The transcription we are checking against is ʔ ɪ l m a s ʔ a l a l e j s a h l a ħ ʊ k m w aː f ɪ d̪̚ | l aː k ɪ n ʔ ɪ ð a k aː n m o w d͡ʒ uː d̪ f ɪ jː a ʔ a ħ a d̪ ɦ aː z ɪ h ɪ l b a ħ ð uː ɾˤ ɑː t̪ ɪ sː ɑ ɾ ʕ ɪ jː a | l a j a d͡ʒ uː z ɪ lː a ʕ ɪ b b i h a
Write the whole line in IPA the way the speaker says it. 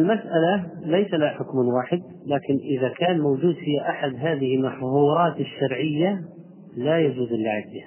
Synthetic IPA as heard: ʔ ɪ l m a s ʔ a l a l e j s a l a ħ ʊ k m w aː ħ ɪ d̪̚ | l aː k ɪ n ʔ ɪ ð a k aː n m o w d͡ʒ uː d̪ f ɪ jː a ʔ a ħ a d̪ ɦ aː ð ɪ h ɪ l m a ħ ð uː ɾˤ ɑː t̪ ɪ ʃː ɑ ɾ ʕ ɪ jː a | l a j a d͡ʒ uː z ɪ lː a ʕ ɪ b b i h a